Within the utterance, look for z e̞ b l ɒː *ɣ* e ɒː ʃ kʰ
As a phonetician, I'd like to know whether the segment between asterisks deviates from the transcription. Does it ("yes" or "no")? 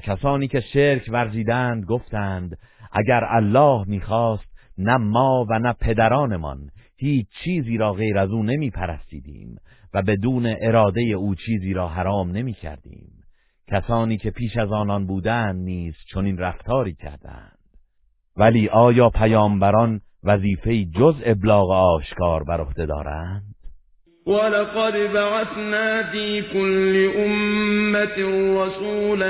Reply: no